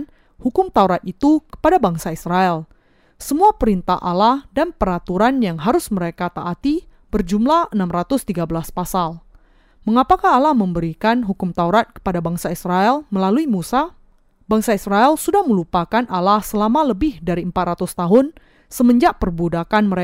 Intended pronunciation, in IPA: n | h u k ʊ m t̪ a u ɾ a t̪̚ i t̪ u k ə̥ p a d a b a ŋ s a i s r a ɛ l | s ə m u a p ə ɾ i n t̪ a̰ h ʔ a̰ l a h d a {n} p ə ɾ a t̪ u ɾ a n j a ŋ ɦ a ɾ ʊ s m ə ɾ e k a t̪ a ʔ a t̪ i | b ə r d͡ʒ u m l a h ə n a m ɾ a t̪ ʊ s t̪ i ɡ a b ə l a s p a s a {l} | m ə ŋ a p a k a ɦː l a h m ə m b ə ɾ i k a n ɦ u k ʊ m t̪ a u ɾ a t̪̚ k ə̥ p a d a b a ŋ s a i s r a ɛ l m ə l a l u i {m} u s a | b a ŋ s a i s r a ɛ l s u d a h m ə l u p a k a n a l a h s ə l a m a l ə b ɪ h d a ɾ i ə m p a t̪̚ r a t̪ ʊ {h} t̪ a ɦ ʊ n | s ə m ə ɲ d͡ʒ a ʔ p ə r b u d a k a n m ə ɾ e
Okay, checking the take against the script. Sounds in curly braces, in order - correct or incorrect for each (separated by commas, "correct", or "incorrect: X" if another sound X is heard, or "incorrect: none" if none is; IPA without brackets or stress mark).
correct, correct, correct, incorrect: s